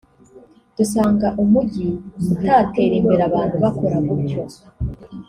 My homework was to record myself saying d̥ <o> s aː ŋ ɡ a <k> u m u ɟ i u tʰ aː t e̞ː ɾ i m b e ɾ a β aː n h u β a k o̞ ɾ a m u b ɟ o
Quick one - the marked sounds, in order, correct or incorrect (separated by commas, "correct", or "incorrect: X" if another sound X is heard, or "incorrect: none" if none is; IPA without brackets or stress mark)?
incorrect: u, incorrect: ʔ